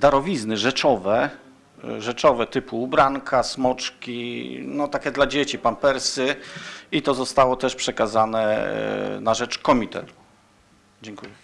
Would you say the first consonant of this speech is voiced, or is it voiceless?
voiced